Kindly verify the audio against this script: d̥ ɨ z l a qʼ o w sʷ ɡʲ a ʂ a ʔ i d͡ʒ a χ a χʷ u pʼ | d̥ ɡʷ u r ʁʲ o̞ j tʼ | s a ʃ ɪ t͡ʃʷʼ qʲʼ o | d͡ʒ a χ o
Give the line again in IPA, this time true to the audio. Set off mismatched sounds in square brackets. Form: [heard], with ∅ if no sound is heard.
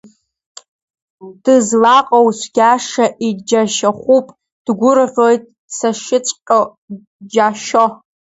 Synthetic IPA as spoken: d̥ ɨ z l a qʼ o w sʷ ɡʲ a ʂ a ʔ i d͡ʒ a [ʃ] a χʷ u pʼ | d̥ ɡʷ [ʊ] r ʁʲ o̞ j tʼ | s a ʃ ɪ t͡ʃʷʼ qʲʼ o | d͡ʒ a [ʃ] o